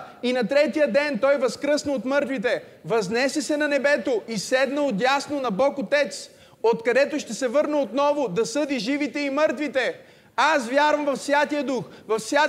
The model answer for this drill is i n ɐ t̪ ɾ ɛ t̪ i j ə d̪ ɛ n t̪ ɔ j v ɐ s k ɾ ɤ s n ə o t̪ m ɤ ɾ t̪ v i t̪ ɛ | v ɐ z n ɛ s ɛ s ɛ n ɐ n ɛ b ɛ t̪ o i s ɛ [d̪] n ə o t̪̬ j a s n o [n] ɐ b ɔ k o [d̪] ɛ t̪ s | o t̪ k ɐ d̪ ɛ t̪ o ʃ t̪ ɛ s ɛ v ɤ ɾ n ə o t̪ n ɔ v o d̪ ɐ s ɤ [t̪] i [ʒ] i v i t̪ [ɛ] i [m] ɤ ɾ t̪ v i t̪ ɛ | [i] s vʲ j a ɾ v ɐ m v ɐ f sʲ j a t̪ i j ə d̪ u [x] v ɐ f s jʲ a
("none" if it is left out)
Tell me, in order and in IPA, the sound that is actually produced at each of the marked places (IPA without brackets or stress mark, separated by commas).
d̪, n, t̪, d̪, ʒ, ɛ, m, a, x